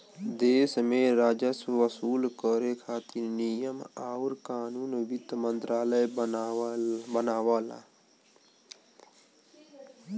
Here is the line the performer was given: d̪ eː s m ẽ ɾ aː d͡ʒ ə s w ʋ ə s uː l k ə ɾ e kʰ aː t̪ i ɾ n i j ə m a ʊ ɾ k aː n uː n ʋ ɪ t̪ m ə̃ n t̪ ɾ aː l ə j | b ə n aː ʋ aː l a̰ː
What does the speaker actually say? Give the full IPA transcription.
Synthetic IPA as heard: d̪ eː s m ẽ ɾ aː d͡ʒ ə s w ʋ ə s uː l k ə ɾ e kʰ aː t̪ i ɾ n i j ə m a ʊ ɾ k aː n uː n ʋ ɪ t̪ m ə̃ n t̪ ɾ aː l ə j | b ə n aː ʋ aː l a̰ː